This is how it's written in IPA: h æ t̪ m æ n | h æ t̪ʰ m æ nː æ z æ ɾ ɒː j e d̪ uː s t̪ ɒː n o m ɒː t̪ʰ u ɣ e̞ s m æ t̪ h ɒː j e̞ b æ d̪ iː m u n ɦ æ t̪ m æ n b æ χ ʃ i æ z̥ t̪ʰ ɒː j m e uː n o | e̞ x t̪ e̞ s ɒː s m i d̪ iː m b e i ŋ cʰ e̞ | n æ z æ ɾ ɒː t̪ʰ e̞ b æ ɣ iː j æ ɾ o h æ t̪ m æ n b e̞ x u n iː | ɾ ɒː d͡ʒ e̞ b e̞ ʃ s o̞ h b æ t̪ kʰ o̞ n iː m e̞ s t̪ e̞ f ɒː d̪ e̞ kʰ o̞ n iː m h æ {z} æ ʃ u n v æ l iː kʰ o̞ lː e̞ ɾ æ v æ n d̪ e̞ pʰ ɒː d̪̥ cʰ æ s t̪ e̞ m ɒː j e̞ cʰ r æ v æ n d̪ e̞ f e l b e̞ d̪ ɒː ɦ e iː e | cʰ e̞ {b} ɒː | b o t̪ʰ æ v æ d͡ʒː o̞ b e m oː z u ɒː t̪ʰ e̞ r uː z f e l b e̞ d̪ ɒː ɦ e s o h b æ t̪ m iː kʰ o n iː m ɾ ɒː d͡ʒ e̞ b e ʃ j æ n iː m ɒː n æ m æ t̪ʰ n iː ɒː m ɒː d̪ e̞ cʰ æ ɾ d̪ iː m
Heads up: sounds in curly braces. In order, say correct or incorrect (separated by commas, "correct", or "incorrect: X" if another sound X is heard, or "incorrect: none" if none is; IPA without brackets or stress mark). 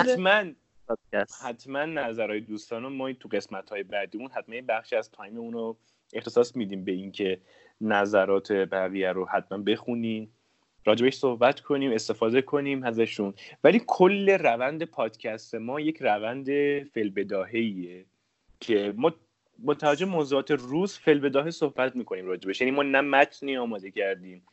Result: correct, incorrect: m